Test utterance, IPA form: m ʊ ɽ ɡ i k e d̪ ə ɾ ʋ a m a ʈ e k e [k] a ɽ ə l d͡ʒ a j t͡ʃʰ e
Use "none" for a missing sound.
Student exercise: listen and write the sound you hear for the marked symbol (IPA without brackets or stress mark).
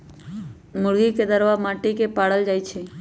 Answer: p